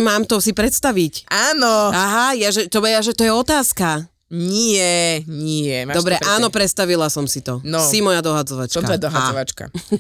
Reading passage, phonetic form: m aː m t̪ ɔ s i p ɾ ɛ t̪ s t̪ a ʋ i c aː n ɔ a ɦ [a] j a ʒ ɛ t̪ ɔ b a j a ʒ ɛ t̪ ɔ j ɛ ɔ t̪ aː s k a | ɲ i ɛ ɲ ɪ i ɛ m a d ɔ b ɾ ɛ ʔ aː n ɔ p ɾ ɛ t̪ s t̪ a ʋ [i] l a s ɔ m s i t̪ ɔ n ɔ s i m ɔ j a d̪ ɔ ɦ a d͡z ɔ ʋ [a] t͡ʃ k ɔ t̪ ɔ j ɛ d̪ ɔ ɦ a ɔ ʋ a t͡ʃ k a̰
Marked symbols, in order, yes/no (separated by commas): yes, yes, yes